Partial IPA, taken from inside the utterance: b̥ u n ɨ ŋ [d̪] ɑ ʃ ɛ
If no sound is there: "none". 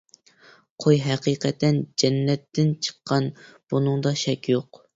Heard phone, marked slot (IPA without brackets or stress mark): d̪